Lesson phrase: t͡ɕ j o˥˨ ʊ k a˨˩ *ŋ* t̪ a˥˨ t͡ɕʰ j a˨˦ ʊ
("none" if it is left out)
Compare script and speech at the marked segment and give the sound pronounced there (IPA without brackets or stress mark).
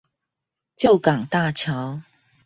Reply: ŋ